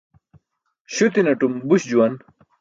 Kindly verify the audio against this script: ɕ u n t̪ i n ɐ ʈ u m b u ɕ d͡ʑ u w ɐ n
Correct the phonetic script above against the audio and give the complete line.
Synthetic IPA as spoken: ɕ u t̪ i n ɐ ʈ u m b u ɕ d͡ʑ u w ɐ n